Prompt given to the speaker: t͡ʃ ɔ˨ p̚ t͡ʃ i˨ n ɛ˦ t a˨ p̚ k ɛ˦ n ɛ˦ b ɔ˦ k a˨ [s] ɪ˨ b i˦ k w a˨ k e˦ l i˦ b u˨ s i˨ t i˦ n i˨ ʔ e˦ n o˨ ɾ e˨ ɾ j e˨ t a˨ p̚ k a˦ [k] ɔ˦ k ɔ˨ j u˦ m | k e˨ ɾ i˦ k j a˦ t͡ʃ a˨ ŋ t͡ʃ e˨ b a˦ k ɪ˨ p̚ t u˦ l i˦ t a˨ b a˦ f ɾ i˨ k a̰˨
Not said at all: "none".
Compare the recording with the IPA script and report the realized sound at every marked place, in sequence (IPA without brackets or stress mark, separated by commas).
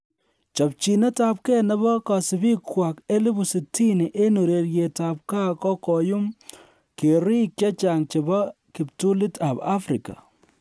s, k